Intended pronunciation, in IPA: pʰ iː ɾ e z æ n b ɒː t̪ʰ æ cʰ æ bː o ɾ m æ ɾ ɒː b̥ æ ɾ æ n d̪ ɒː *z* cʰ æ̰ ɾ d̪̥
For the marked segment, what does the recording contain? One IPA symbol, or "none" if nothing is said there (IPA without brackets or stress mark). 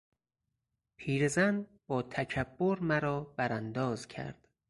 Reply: z